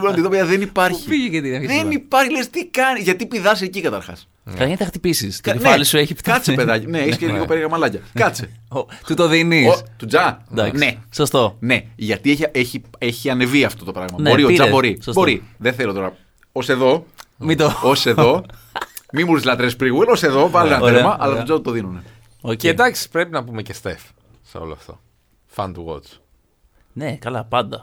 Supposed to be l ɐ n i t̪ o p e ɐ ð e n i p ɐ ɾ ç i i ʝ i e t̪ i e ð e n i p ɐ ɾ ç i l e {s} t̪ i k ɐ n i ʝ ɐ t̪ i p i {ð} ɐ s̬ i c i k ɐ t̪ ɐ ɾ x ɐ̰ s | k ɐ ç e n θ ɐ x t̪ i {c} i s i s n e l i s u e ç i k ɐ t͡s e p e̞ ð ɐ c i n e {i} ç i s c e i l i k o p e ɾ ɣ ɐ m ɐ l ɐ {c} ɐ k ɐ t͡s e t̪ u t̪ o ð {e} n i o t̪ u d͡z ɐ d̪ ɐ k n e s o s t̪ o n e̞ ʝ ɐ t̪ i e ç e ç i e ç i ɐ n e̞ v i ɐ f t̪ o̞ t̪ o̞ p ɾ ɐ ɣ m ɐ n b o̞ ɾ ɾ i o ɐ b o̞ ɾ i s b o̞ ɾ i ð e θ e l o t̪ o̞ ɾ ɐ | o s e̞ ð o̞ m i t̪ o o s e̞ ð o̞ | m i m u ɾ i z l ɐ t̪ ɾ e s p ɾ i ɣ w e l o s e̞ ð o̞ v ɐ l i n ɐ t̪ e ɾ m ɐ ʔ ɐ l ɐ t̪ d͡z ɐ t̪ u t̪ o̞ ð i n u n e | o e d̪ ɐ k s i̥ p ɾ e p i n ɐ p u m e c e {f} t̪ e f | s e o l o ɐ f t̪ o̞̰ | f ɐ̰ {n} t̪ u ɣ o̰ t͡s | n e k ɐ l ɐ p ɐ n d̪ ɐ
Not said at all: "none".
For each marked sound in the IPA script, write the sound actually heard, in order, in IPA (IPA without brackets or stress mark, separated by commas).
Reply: s, ð, p, e, c, i, s, n